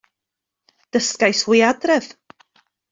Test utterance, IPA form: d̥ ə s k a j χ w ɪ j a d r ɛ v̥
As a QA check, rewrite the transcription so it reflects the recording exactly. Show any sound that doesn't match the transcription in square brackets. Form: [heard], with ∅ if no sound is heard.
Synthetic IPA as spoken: d̥ ə s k a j [s] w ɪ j a d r ɛ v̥